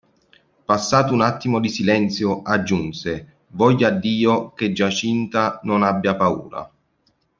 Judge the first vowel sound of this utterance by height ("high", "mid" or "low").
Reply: low